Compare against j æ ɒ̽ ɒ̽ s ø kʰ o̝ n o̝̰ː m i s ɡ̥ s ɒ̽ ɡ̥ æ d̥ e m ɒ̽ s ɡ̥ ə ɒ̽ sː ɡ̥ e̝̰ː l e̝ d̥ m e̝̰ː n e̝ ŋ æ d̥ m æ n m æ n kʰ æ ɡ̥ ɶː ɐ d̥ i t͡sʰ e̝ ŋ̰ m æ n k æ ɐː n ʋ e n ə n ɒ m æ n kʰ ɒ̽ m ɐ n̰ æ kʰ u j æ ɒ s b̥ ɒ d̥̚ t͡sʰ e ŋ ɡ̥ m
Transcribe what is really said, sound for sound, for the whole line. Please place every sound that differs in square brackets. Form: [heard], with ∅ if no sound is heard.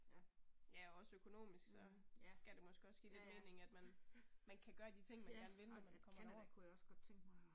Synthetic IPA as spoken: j æ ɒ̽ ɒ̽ s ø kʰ o̝ n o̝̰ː m i s ɡ̥ s ɒ̽ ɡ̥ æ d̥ e m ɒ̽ s ɡ̥ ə ɒ̽ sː ɡ̥ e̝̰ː l e̝ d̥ m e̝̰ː n e̝ ŋ æ d̥ m æ n m æ n kʰ æ ɡ̥ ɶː ɐ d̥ i t͡sʰ e̝ ŋ̰ m æ n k æ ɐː n ʋ e n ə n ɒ m æ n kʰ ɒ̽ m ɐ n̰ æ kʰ u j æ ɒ s [ɡ̥] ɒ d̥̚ t͡sʰ e ŋ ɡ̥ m